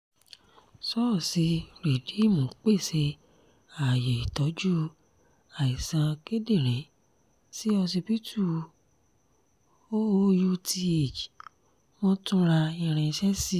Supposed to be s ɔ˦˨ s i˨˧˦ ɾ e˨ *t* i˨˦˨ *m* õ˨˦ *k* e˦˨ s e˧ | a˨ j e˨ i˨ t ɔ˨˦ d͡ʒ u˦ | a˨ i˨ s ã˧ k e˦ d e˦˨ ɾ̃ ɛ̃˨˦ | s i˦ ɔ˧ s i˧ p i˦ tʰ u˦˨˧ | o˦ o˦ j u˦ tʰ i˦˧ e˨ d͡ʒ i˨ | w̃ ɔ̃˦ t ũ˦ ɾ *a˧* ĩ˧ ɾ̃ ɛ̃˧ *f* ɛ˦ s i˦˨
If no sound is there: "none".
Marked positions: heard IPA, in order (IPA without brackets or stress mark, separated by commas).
d, m, k͡p, a˧, ʃ